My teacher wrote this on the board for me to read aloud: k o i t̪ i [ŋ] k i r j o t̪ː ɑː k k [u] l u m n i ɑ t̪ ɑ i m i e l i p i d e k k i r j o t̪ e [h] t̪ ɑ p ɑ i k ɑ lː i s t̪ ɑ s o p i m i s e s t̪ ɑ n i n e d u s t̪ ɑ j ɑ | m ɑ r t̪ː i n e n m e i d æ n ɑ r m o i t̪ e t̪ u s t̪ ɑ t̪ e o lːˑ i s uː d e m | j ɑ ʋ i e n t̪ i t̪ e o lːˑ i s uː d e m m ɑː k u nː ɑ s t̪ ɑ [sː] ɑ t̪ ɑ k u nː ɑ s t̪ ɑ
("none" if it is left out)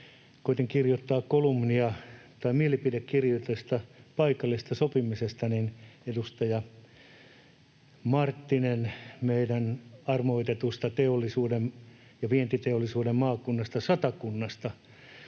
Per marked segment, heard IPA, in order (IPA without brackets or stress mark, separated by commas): ŋ, o, s, s